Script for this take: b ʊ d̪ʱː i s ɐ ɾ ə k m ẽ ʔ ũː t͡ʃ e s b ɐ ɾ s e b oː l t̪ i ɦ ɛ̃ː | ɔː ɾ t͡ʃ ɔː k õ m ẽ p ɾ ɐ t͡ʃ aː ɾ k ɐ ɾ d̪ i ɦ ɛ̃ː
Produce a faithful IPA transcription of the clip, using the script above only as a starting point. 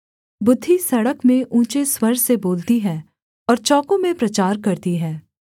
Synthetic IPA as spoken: b ʊ d̪ʱː i s ɐ ɽ ə k m ẽ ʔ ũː t͡ʃ e s w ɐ ɾ s e b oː l t̪ i ɦ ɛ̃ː | ɔː ɾ t͡ʃ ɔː k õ m ẽ p ɾ ɐ t͡ʃ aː ɾ k ɐ ɾ t̪ i ɦ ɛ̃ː